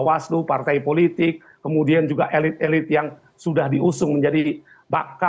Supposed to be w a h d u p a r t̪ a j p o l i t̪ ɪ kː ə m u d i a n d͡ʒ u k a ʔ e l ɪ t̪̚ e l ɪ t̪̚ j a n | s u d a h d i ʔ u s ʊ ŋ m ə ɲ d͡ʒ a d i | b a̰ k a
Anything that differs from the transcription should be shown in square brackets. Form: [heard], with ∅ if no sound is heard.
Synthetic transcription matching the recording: w a [s] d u p a r t̪ a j p o l i t̪ ɪ kː ə m u d i a n d͡ʒ u [ɡ] a ʔ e l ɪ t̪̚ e l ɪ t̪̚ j a [ŋ] | s u d a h d i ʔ u s ʊ ŋ m ə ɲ d͡ʒ a d i | b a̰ k a